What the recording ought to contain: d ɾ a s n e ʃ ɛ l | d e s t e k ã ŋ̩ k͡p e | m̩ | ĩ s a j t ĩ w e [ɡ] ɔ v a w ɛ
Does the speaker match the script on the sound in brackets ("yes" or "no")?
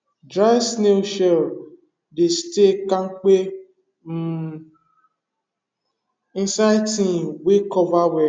no